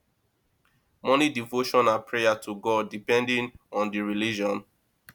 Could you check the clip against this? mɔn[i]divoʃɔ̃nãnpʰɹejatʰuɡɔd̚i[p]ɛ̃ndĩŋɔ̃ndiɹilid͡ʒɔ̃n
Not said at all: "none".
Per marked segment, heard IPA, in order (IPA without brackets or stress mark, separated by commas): i, p